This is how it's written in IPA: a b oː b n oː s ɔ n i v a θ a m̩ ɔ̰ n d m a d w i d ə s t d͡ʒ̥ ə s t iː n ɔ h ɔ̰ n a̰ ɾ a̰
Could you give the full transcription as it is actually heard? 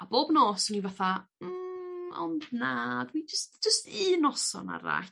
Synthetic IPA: a b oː b n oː s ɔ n i v a θ a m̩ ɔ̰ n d n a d w i d͡ʒ ə s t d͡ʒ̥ ə s t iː n ɔ s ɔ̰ n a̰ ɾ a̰

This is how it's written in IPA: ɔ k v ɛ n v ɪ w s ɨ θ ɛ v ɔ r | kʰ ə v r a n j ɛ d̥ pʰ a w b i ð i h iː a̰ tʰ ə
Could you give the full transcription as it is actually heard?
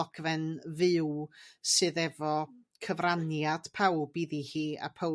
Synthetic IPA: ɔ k v ɛ n v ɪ w s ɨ ð ɛ v ɔ | kʰ ə v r a n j a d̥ pʰ a w b i ð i h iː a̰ pʰ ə

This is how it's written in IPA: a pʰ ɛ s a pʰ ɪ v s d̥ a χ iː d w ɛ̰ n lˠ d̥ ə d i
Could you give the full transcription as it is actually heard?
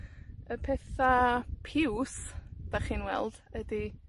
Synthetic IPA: ə pʰ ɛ θ a pʰ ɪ w s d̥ a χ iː n w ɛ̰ lˠ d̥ ə d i

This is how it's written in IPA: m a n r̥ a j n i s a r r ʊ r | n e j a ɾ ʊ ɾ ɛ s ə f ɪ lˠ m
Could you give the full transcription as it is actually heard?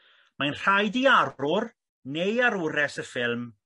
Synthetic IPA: m a n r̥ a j d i a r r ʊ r | n e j a ɾ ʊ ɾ ɛ s ə f ɪ lˠ m

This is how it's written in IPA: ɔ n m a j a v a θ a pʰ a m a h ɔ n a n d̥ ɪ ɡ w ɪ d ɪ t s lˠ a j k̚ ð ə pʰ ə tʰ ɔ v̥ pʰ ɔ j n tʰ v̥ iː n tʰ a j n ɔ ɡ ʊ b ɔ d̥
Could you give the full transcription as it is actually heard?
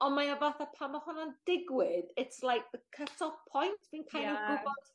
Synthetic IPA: ɔ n m a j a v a θ a pʰ a m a h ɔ n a n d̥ ɪ ɡ w ɪ d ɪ t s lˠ a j k̚ ð ə kʰ ə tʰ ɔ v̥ pʰ ɔ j n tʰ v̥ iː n kʰ a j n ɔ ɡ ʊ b ɔ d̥

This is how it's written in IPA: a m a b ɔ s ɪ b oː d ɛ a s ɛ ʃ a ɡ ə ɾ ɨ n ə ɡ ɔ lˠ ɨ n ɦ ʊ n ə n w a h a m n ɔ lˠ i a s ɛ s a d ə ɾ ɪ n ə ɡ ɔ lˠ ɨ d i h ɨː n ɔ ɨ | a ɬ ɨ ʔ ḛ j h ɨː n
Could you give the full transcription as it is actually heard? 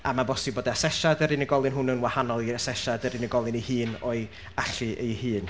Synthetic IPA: a m a b ɔ s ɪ b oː d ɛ a s ɛ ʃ a d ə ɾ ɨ n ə ɡ ɔ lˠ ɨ n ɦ ʊ n ə n w a h a n ɔ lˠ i a s ɛ ʃ a d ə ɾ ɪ n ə ɡ ɔ lˠ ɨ n i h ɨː n ɔ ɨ | a ɬ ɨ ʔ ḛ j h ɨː n

